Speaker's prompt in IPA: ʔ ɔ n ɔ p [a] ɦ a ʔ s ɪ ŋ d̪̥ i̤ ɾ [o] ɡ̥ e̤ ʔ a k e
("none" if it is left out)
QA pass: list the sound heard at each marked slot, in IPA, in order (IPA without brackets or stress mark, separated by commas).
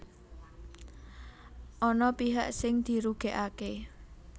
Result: i, u